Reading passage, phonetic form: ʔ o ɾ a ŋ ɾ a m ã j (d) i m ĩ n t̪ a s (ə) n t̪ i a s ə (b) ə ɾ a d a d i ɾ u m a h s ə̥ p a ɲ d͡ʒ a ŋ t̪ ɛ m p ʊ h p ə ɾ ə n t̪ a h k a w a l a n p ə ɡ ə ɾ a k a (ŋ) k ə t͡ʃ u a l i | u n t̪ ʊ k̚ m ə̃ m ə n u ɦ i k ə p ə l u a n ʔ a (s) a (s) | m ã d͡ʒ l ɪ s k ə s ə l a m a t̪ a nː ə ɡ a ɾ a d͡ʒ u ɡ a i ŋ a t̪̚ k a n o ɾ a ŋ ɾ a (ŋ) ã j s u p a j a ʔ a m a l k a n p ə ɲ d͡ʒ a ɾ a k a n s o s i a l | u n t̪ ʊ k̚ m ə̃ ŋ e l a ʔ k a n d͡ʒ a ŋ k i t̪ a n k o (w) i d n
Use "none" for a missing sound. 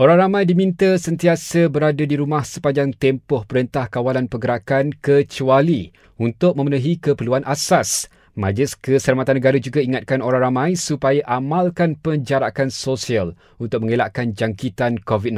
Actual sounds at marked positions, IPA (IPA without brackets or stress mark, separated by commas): d, ə, b, n, s, s, m, v